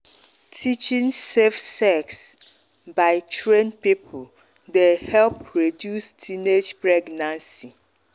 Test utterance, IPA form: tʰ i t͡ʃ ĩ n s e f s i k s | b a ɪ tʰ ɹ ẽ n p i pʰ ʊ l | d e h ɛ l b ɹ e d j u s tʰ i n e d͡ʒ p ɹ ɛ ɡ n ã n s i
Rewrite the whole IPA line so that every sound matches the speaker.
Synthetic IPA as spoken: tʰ i t͡ʃ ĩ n s e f s ɛ k s | b a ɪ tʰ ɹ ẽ n p i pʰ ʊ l | d e h ɛ l p ɹ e d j u s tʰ i n e d͡ʒ p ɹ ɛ ɡ n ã n s i